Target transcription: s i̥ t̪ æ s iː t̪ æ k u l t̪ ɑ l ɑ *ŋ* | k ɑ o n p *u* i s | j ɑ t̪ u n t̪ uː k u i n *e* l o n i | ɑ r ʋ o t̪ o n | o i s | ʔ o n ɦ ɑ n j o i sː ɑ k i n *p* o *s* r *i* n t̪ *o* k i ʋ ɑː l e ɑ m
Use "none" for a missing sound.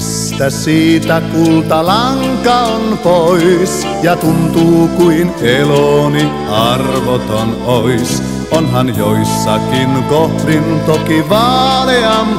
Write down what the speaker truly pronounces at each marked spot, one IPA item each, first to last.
ŋ, o, e, k, h, i, o

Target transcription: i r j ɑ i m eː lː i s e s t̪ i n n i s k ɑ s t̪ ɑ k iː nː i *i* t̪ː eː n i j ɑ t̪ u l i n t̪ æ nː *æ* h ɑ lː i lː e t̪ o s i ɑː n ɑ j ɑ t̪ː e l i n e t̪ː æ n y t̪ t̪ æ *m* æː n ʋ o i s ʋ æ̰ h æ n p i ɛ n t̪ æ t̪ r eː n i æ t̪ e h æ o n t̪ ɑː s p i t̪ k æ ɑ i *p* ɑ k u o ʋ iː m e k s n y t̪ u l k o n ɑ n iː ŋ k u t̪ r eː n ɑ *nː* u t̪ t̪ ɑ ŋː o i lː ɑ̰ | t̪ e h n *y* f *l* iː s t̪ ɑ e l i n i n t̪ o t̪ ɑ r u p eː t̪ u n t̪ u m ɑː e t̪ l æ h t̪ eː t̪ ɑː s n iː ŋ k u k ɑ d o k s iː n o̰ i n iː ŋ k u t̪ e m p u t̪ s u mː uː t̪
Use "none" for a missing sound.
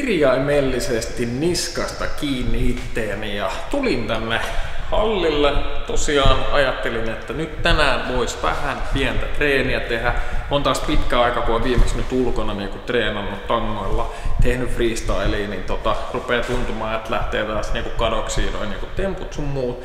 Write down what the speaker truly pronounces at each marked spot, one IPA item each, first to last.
i, e, n, k, nː, y, r

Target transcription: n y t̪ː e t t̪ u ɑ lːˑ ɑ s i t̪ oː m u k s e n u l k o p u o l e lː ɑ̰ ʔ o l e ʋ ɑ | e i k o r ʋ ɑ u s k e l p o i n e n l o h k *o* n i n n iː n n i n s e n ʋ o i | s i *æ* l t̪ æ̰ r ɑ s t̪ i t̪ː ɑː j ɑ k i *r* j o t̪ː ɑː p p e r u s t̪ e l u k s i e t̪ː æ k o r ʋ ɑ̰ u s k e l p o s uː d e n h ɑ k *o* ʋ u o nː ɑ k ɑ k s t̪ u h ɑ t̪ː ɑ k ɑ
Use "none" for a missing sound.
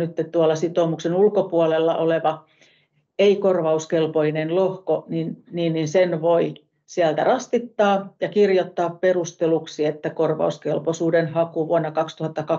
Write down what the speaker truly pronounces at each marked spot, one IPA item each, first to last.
o, æ, r, u

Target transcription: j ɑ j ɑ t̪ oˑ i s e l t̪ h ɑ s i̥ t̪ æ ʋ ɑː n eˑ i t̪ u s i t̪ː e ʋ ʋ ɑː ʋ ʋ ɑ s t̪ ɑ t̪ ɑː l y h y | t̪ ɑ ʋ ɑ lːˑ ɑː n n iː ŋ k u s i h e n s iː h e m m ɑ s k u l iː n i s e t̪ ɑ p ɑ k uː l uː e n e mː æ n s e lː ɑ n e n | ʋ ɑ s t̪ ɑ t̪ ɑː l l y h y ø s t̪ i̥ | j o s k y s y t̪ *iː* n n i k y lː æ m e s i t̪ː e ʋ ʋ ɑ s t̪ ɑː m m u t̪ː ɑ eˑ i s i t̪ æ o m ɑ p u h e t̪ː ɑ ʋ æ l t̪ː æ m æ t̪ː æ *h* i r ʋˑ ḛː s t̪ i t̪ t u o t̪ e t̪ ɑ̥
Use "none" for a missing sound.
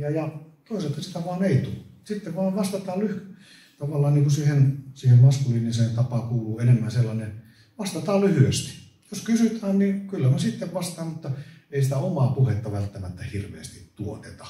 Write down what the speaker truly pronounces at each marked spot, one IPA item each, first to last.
æː, h

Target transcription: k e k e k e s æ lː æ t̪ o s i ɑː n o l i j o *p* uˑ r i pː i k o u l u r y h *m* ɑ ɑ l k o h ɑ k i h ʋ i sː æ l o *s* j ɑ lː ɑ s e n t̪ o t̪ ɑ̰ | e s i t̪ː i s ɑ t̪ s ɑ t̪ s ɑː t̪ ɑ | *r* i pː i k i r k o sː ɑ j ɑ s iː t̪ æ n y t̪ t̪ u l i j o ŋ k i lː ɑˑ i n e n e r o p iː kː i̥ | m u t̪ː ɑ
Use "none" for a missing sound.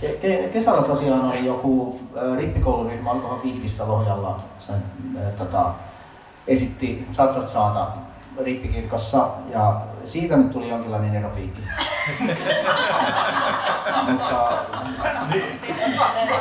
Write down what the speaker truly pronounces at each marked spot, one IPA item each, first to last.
k, m, h, r

